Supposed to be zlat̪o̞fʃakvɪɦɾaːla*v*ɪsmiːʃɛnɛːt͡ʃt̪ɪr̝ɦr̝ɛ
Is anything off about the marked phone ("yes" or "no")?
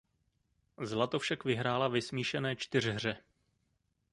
no